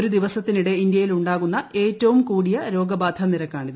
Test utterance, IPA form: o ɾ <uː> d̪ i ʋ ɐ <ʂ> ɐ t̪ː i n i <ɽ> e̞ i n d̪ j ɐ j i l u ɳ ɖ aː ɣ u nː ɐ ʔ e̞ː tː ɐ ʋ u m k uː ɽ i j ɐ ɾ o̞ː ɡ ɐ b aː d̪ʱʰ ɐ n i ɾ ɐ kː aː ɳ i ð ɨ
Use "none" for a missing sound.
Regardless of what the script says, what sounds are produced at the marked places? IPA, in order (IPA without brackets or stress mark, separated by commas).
u, s, ɽ